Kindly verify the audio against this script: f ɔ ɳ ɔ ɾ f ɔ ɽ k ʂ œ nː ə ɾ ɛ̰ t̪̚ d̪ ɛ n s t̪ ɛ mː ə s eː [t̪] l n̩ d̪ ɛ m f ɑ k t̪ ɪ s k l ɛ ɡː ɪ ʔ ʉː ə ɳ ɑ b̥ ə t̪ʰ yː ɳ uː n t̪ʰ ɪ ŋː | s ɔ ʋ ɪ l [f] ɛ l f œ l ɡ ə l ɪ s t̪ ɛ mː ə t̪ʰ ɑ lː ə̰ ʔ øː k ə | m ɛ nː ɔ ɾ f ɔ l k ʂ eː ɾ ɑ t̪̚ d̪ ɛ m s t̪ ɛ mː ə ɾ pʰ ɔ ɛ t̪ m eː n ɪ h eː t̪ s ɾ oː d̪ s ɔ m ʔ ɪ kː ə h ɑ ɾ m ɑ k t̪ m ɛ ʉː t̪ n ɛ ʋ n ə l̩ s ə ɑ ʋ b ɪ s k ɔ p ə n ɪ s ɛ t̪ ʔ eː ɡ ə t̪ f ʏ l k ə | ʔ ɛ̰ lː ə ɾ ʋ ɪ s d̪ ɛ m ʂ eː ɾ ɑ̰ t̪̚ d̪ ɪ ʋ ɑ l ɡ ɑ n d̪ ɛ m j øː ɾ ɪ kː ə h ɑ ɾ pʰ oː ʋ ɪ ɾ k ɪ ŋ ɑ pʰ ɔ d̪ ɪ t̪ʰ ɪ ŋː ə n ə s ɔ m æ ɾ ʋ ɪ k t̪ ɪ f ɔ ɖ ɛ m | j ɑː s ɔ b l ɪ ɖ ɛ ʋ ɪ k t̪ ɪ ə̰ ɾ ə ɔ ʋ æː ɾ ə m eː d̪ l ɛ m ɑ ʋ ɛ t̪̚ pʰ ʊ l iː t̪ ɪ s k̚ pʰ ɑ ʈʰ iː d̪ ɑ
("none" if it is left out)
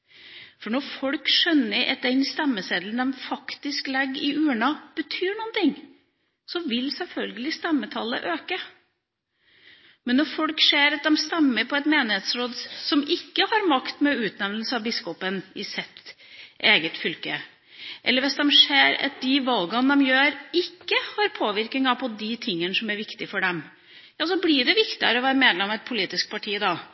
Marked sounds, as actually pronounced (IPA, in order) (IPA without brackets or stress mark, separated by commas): d̪, s